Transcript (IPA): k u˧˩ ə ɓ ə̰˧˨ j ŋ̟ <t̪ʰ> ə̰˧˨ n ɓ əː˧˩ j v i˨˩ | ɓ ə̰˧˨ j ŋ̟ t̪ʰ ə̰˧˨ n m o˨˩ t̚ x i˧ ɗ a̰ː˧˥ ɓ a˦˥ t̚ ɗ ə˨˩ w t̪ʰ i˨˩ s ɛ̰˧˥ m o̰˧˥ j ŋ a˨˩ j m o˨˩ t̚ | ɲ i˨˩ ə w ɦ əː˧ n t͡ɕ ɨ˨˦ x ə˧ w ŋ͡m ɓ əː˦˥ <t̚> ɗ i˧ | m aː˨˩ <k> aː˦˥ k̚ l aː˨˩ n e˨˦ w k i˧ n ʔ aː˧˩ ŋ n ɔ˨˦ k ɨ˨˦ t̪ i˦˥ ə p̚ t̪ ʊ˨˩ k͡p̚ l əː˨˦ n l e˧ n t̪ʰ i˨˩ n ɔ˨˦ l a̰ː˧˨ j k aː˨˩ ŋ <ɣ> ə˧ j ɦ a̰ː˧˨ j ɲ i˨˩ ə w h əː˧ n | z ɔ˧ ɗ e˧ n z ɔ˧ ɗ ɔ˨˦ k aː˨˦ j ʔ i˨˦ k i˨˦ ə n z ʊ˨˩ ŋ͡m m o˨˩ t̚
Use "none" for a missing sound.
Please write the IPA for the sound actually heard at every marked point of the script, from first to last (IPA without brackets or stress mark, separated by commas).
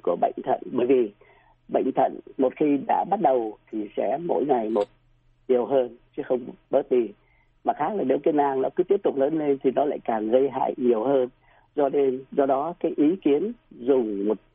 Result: t̪ʰ, t̚, x, ɣ